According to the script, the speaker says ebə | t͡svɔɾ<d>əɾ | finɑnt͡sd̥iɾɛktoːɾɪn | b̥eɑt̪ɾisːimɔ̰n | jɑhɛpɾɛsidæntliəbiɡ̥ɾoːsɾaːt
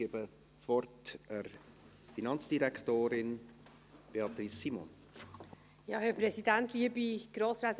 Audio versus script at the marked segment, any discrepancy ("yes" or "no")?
yes